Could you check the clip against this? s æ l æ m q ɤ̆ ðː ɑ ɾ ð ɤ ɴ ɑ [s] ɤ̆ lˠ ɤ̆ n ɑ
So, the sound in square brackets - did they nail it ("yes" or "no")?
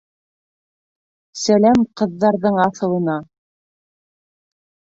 no